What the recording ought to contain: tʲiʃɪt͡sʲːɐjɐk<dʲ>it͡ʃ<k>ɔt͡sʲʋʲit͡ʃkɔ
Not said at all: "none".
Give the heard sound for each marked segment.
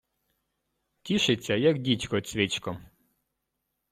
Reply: dʲ, k

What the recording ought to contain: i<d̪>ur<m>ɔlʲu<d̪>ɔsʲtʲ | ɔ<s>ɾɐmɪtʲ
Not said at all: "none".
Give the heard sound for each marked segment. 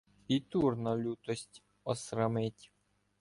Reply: t̪, n, t̪, s

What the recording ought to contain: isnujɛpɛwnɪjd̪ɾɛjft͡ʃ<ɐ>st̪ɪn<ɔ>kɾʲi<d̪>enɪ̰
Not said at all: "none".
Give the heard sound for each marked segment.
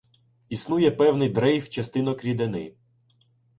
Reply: ɐ, ɔ, d̪

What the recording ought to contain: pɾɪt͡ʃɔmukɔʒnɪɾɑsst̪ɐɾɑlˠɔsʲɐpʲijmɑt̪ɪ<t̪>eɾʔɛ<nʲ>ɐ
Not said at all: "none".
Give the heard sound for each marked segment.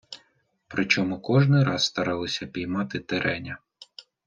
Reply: t̪, nʲ

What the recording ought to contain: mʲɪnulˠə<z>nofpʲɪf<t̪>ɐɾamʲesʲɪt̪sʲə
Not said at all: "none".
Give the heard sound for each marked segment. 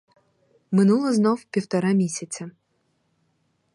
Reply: z, t̪

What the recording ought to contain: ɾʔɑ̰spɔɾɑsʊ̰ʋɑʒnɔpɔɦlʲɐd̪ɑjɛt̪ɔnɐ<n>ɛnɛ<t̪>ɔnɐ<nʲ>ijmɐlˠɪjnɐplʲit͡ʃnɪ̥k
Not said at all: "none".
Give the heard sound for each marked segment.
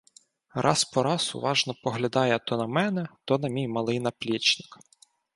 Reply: m, t̪, mʲ

